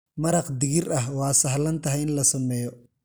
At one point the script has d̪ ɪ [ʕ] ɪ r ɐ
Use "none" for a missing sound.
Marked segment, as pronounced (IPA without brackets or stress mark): ɣ